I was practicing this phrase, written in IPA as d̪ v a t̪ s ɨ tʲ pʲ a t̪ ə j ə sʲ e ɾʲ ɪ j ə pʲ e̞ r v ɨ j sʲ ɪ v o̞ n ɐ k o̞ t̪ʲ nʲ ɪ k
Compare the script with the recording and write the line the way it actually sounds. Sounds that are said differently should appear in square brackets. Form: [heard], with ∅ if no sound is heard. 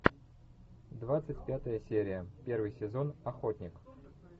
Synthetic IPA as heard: d̪ v a t̪ s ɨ tʲ pʲ a t̪ ə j ə sʲ e ɾʲ ɪ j ə pʲ e̞ r v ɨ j sʲ ɪ [z] o̞ n ɐ [x] o̞ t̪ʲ nʲ ɪ k